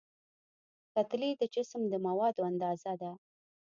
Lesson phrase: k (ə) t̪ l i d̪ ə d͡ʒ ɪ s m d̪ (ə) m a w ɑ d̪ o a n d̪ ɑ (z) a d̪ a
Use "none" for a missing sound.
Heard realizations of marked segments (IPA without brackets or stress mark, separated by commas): a, ə, z